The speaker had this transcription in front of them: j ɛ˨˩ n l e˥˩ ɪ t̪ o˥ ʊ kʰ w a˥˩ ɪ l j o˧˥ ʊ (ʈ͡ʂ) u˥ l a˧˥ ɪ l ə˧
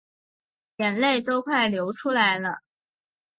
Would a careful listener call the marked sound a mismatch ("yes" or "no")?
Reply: yes